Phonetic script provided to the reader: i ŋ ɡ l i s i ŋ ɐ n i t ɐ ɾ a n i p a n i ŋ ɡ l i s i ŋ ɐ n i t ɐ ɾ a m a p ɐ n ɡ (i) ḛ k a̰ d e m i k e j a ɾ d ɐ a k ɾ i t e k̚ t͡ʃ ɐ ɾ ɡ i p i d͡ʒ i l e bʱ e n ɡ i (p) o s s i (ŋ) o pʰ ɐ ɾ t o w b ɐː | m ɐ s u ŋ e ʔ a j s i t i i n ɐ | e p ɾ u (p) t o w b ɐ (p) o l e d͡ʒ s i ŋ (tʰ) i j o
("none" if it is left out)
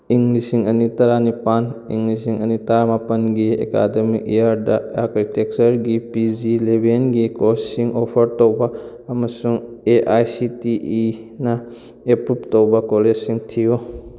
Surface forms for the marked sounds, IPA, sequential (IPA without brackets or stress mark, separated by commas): i, k, ŋ, p, k, tʰ